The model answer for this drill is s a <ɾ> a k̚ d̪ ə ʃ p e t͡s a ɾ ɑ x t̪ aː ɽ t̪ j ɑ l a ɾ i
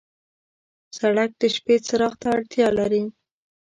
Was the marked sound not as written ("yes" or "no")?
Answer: yes